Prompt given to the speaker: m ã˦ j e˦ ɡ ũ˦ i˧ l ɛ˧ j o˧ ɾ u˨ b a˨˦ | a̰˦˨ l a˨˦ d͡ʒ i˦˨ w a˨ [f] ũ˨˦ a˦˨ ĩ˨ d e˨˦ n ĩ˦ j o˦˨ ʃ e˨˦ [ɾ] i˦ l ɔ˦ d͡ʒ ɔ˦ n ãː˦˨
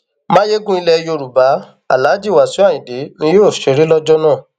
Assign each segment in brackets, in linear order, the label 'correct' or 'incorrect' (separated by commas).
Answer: incorrect, correct